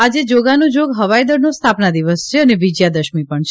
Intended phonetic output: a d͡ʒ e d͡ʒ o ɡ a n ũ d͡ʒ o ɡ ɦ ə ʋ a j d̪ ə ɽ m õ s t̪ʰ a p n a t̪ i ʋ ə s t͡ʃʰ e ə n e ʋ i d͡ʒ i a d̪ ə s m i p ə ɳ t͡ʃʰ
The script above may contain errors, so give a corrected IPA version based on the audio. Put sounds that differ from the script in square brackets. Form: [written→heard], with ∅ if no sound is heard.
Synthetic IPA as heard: a d͡ʒ e d͡ʒ o ɡ a n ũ d͡ʒ o ɡ ɦ ə ʋ a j d̪ ə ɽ [m→n] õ s t̪ʰ a p n a [t̪→d̪] i ʋ ə s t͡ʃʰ e ə n e ʋ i d͡ʒ [i→j] a d̪ ə [s→ʃ] m i p ə ɳ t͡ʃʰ